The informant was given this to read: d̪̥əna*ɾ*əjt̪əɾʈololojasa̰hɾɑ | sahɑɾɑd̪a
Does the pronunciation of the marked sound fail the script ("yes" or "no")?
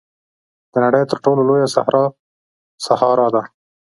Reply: yes